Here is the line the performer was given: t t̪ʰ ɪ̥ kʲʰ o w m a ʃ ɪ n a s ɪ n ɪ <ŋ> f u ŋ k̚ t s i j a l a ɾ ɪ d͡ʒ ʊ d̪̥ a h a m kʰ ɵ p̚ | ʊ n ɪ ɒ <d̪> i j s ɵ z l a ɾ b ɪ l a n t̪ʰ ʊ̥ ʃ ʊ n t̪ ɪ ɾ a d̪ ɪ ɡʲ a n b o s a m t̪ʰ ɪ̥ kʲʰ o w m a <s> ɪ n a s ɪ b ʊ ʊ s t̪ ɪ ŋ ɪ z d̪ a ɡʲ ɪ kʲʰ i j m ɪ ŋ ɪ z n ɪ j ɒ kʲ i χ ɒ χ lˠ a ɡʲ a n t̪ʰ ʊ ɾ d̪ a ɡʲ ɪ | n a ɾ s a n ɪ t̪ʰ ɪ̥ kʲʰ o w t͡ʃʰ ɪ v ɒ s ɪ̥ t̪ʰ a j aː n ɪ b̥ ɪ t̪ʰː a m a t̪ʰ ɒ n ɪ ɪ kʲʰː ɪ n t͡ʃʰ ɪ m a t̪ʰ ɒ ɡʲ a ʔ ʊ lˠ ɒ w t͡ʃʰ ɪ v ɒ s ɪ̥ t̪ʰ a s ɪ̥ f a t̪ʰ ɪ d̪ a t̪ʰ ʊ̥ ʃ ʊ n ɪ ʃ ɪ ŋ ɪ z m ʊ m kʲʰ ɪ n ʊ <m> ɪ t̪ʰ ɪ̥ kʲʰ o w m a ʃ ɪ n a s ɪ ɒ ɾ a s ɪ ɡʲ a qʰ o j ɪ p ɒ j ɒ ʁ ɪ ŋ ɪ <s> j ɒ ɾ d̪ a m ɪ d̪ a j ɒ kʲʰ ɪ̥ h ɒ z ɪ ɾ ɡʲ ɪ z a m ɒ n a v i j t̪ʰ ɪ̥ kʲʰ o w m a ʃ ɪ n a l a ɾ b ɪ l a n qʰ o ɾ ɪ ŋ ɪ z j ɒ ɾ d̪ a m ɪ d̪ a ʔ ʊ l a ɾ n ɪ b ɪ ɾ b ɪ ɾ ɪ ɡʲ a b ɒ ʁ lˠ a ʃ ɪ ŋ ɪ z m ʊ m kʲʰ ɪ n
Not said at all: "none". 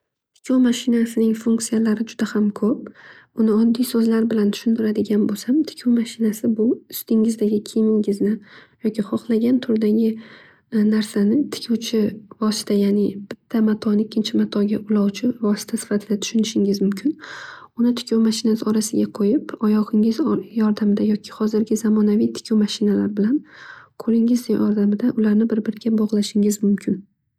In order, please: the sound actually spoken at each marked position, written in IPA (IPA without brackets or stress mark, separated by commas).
ŋ, d̪ː, ʃ, n, z